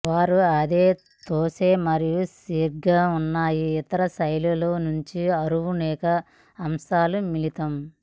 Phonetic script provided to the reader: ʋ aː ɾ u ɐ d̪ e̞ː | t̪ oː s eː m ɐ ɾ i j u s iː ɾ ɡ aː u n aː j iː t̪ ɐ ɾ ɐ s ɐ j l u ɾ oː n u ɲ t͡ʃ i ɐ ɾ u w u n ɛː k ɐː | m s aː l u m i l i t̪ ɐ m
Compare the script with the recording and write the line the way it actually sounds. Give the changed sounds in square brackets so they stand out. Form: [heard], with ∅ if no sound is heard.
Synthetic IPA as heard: ʋ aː ɾ u ɐ d̪ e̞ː | t̪ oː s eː m ɐ ɾ i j u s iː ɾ ɡ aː u [nː] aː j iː t̪ ɐ ɾ ɐ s ɐ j l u [l] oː n u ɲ t͡ʃ i ɐ ɾ u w u n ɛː k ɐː | m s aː l u m i l i t̪ ɐ m